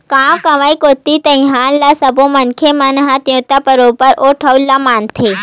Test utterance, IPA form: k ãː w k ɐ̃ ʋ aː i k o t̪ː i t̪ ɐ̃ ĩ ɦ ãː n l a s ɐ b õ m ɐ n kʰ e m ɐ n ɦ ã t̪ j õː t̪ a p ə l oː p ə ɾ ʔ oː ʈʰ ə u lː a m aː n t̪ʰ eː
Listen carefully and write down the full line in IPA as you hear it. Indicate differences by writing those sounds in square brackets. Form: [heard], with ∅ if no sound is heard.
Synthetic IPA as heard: k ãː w k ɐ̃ ʋ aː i k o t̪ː i t̪ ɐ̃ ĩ ɦ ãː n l a s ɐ b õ m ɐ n kʰ e m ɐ n ɦ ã t̪ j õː t̪ a p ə [ɾ] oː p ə ɾ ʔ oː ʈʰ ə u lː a m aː n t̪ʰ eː